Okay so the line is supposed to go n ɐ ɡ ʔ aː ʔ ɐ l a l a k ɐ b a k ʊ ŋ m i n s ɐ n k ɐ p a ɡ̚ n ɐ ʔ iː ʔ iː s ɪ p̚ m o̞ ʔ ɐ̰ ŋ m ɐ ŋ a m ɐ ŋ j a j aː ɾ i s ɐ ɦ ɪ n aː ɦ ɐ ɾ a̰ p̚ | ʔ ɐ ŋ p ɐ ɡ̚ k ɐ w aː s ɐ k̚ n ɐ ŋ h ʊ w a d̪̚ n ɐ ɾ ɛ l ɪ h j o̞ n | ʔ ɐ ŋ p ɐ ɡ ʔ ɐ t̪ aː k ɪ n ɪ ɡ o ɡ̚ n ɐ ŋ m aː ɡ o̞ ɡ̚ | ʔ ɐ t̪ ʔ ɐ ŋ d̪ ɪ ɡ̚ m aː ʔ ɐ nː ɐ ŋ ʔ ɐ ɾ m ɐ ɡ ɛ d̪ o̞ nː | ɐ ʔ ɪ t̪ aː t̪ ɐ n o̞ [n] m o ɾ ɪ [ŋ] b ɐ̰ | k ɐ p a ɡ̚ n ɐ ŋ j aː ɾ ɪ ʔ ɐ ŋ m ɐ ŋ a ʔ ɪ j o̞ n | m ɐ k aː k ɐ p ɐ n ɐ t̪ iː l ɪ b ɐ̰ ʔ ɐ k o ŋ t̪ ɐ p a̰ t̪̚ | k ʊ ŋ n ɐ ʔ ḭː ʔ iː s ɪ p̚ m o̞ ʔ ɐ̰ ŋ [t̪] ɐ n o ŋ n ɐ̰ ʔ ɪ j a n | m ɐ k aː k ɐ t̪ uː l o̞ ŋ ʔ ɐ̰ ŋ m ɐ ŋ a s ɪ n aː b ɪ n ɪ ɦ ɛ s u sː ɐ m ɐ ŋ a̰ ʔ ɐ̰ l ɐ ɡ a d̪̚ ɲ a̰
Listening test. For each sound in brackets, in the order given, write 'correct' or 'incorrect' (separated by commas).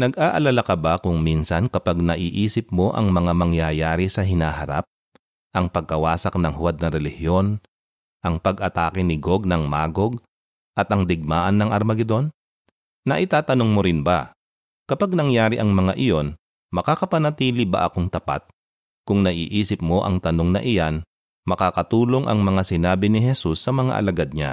incorrect, incorrect, correct